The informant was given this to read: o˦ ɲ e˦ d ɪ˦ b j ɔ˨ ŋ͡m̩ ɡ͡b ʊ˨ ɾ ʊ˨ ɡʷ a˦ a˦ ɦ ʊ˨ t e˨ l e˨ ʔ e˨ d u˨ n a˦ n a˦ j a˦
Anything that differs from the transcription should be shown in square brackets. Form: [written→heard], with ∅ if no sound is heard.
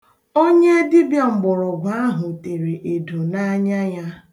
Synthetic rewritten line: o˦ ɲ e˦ d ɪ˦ b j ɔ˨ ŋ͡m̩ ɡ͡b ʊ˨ ɾ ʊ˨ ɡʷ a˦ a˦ ɦ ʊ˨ t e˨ [l→ɾ] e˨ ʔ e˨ d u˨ n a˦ [n→ɲ] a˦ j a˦